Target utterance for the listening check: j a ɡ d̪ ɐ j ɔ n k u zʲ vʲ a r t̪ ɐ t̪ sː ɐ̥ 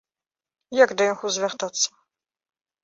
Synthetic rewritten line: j a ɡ d̪ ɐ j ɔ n x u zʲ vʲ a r t̪ a t̪ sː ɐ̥